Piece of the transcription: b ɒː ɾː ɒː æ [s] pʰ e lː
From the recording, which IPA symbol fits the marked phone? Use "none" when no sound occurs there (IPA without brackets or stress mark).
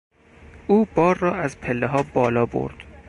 z